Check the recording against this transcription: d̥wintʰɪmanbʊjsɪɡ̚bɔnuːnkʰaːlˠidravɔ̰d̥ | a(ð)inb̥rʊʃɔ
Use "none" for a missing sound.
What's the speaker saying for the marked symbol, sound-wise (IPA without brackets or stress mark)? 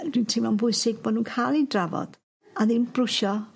ð